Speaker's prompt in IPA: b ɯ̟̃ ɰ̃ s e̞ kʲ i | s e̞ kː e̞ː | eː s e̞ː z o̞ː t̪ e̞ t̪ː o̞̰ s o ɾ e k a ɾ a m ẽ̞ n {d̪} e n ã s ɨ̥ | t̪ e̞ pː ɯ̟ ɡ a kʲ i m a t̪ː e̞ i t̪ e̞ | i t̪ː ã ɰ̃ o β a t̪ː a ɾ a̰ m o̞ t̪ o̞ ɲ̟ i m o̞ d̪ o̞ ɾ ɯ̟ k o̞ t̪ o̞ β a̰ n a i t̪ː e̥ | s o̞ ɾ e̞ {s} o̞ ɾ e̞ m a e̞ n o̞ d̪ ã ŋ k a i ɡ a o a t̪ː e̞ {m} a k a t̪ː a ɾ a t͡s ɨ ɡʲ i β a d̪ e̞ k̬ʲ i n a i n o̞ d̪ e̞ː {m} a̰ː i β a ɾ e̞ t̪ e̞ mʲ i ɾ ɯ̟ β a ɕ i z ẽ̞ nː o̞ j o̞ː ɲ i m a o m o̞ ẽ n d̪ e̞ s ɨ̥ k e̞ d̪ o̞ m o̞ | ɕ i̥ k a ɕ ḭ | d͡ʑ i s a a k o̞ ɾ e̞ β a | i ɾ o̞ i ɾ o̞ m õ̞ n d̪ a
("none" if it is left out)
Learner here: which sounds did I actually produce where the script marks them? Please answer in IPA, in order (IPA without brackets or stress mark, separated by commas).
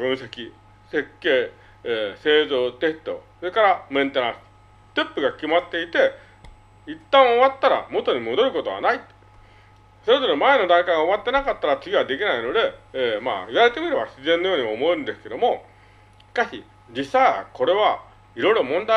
t̪, z, n, m